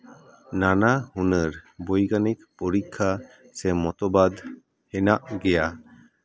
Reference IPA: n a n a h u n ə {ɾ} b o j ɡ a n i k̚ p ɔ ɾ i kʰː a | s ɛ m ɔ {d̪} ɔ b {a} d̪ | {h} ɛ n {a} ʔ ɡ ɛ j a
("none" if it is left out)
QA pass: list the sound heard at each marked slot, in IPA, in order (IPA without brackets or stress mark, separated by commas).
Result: ɾ, t̪, a, h, a